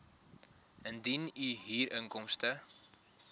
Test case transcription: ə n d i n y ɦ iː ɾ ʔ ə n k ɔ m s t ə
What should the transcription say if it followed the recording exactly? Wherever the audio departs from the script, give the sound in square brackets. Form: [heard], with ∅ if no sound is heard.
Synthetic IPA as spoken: ə n d i n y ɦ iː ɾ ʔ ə [ŋ] k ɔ m s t ə